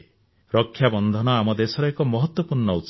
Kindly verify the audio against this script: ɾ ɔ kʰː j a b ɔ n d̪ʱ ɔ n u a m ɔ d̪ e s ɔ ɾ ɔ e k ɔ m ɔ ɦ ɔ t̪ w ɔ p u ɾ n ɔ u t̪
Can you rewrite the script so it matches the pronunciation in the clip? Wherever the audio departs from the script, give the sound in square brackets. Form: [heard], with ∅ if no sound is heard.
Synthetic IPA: ɾ ɔ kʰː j a b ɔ n d̪ʱ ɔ n [ɔ] a m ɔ d̪ e s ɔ ɾ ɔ e k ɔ m ɔ ɦ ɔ t̪ w ɔ p u ɾ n ɔ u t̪

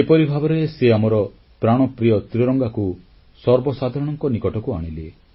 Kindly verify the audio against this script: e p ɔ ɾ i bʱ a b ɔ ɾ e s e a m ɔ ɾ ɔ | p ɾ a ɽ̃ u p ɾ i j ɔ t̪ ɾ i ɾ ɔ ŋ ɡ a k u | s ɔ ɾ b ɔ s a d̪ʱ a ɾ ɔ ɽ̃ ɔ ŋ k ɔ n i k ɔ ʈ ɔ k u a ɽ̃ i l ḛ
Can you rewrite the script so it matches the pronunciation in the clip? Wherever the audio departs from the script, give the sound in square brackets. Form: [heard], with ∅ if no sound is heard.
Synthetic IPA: e p ɔ ɾ i bʱ a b ɔ ɾ e s e a m ɔ ɾ ɔ | p ɾ a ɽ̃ [ɔ] p ɾ i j ɔ t̪ ɾ i ɾ ɔ ŋ ɡ a k u | s ɔ ɾ b ɔ s a d̪ʱ a ɾ ɔ ɽ̃ ɔ ŋ k ɔ n i k ɔ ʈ ɔ k u a ɽ̃ i l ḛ

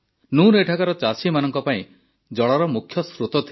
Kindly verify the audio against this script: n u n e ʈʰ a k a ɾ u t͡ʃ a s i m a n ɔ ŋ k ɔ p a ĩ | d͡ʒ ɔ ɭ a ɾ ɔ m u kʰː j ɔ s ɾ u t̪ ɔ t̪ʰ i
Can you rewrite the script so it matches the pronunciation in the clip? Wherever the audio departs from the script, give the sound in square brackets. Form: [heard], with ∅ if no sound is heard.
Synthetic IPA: n u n e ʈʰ a k a ɾ [ɔ] t͡ʃ a s i m a n ɔ ŋ k ɔ p a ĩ | d͡ʒ ɔ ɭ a ɾ ɔ m u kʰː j ɔ s ɾ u t̪ ɔ t̪ʰ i

